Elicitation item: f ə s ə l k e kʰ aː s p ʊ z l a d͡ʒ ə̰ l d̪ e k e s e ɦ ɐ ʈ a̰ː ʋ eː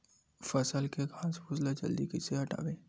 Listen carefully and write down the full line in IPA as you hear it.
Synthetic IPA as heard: f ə s ə l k e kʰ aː s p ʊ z l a d͡ʒ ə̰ l d̪ i k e s e ɦ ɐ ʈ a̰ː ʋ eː